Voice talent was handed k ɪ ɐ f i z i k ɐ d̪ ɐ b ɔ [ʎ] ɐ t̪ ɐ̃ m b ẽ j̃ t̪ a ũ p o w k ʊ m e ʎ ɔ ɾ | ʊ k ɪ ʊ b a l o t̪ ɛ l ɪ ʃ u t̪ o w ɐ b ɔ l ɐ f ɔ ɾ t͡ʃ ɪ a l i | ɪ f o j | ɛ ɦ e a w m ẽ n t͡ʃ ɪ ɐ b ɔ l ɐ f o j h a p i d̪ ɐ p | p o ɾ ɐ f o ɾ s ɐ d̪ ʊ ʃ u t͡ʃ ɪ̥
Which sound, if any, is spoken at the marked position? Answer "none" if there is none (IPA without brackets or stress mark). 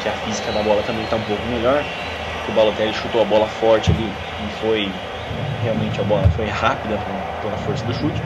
l